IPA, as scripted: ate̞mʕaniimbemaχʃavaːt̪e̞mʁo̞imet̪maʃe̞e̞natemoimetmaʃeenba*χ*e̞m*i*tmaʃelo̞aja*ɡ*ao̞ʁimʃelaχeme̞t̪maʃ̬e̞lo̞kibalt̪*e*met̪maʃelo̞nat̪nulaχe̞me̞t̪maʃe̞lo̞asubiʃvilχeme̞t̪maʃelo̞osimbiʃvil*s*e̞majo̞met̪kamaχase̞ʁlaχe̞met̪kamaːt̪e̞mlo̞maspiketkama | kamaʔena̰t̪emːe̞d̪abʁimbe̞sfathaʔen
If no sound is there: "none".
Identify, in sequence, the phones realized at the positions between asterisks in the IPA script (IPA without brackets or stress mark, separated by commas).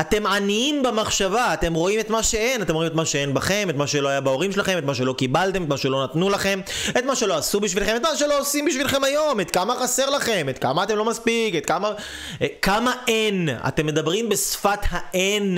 χ, e, b, e, χ